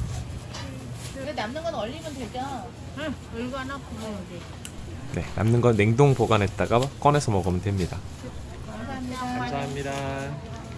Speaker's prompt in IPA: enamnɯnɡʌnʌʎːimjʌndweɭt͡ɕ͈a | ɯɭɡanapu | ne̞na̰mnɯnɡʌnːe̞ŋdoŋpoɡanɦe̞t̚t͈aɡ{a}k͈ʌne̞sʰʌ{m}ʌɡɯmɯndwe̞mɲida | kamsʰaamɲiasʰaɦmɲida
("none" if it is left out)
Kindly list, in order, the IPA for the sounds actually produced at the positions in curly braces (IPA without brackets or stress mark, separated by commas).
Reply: a, m